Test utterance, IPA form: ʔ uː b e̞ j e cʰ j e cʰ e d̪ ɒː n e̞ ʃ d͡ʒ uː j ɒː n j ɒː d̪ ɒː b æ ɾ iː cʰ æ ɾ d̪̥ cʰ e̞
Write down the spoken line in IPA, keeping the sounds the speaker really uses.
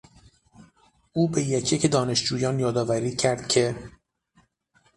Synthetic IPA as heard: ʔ uː b e̞ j e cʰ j e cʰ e d̪ ɒː n e̞ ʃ d͡ʒ uː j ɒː n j ɒː d̪ ɒː v æ ɾ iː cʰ æ ɾ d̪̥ cʰ e̞